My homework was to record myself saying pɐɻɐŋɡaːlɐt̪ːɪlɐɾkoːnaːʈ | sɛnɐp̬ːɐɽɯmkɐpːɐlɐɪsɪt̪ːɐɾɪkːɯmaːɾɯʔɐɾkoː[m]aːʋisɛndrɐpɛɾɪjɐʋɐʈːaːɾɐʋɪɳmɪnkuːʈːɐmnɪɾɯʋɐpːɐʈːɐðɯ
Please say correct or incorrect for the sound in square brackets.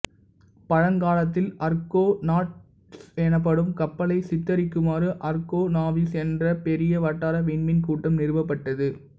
incorrect: n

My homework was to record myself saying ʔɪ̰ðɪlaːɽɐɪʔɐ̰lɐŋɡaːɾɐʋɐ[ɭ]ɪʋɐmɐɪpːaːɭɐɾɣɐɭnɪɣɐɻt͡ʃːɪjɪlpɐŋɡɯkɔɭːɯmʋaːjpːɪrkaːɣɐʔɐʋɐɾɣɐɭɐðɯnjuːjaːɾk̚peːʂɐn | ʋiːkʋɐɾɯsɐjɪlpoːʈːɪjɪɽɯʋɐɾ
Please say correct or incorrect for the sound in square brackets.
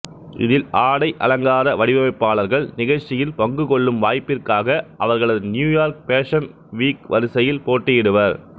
incorrect: ɽ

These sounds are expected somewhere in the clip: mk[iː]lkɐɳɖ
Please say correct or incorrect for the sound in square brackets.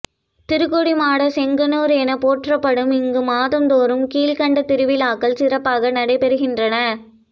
correct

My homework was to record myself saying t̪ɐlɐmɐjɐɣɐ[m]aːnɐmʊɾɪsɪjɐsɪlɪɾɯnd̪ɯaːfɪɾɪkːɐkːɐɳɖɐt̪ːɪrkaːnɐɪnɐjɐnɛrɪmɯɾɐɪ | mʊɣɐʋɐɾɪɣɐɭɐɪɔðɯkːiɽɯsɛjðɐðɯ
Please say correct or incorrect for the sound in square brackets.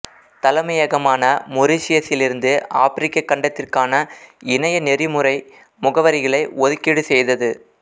correct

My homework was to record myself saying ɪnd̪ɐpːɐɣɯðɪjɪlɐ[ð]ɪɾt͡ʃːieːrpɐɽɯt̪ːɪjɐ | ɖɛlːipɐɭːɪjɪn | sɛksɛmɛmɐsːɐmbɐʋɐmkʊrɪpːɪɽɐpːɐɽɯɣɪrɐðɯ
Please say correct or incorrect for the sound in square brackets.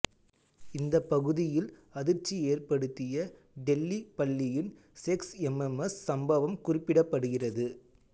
correct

